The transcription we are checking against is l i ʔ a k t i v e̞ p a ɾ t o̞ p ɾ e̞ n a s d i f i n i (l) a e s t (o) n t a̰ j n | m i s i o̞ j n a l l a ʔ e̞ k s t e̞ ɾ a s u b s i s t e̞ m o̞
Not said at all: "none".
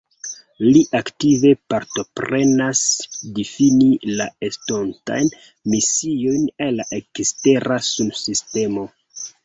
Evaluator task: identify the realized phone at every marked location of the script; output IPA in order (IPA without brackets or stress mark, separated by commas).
l, o